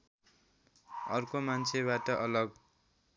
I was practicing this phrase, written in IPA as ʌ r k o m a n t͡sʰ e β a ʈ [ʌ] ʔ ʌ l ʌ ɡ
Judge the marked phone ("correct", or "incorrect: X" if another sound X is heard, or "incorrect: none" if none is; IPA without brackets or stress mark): correct